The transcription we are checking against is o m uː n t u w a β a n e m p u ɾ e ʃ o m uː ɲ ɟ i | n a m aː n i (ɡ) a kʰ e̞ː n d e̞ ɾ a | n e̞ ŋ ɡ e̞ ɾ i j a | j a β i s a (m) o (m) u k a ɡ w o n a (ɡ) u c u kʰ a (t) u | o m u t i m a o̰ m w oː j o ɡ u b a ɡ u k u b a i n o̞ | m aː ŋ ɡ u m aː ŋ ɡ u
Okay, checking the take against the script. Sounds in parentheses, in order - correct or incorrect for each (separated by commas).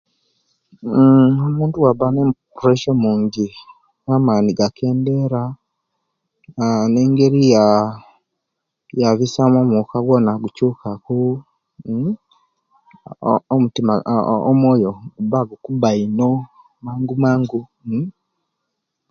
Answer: correct, correct, correct, correct, incorrect